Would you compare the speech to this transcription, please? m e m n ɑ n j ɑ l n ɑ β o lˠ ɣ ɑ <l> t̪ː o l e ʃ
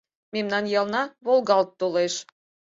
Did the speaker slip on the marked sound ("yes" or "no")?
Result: no